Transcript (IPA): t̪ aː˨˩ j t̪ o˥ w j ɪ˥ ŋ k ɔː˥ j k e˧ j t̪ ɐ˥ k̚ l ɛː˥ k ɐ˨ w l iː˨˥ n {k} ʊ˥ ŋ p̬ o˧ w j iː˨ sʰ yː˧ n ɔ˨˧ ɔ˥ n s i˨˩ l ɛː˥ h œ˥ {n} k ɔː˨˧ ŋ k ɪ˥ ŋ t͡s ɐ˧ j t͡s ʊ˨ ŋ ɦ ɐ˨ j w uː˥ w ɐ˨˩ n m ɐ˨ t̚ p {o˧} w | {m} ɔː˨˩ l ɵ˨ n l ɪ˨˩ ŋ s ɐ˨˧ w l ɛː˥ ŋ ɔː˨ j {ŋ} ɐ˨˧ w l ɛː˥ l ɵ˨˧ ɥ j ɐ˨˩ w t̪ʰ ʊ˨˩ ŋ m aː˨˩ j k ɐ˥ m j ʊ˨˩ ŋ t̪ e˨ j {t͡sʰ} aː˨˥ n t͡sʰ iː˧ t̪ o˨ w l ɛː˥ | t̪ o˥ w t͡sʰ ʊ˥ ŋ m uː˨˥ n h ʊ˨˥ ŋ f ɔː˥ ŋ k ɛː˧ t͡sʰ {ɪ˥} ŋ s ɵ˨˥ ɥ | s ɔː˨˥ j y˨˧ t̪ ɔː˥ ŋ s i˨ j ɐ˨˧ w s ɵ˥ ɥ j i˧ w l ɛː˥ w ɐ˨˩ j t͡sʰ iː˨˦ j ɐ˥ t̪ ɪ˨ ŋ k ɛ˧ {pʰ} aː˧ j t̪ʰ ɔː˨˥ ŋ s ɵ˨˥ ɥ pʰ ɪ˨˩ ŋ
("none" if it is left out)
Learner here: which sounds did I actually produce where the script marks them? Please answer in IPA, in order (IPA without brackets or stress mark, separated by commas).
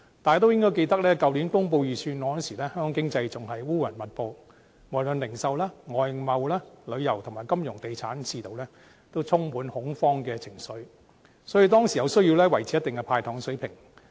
k, ŋ, o˧, m, m, t͡sʰ, ɪ˨˩, pʰ